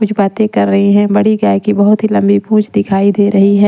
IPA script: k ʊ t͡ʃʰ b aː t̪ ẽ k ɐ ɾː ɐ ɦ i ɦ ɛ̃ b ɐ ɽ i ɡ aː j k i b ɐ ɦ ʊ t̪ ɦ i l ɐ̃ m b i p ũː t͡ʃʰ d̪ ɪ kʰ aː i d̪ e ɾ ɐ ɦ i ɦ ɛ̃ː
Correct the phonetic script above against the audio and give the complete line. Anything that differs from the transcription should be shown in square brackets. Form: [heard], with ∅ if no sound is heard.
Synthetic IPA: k ʊ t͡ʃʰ b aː t̪ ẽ k ɐ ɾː ɐ ɦ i ɦ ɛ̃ b ɐ ɽ i ɡ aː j k i b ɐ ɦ ʊ t̪ ɦ i l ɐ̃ m b i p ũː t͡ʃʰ d̪ ɪ kʰ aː i d̪ e ɾ ɐ ɦ i ɦ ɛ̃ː